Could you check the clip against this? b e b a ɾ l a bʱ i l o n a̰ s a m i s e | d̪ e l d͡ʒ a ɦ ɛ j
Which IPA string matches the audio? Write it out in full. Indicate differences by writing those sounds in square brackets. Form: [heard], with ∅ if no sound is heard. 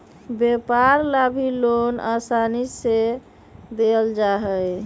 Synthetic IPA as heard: b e [p] a ɾ l a bʱ i l o n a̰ s a [n] i s e | d̪ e l d͡ʒ a ɦ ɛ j